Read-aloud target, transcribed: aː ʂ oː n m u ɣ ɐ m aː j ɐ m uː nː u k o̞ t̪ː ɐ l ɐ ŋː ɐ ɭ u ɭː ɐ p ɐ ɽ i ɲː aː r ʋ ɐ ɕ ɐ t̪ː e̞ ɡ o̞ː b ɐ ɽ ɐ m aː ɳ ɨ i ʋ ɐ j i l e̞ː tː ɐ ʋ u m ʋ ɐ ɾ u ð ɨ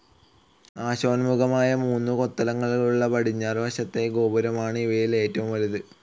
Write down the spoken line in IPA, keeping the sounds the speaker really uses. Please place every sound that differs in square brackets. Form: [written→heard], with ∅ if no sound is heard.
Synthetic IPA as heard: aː [ʂ→ɕ] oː n m u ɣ ɐ m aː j ɐ m uː nː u k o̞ t̪ː ɐ l ɐ ŋː ɐ ɭ u ɭː ɐ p ɐ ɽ i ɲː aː r ʋ ɐ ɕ ɐ t̪ː e̞ ɡ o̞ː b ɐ [ɽ→ɾ] ɐ m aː ɳ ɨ i ʋ ɐ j i l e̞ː tː ɐ ʋ u m ʋ ɐ ɾ u ð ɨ